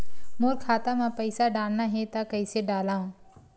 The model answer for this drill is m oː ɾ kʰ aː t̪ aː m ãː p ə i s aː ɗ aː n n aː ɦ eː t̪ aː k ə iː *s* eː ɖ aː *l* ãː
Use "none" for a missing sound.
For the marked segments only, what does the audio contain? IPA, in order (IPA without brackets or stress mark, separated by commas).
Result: s, l